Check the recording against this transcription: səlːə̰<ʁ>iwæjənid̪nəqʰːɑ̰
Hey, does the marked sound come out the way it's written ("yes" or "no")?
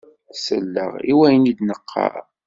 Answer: yes